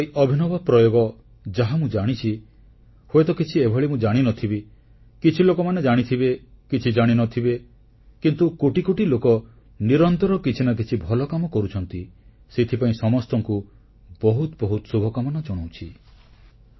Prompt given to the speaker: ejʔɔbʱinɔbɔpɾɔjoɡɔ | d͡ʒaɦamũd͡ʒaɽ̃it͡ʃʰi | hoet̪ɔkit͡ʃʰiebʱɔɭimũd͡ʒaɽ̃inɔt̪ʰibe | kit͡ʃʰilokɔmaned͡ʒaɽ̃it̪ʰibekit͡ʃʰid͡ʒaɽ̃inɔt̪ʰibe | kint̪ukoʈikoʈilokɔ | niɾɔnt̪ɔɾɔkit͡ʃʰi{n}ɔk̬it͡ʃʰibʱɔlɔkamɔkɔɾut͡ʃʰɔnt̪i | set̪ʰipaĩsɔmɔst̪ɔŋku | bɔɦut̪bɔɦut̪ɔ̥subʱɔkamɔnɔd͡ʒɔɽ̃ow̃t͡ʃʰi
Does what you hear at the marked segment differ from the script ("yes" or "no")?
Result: no